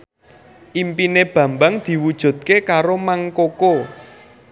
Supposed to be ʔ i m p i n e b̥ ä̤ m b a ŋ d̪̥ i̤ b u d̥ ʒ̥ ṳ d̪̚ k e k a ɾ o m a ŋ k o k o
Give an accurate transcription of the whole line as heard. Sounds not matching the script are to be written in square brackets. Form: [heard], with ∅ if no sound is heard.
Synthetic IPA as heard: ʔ i m p i n e b̥ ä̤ m b a ŋ d̪̥ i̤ [w] u d̥ ʒ̥ ṳ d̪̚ k e k a ɾ o m a ŋ k o k o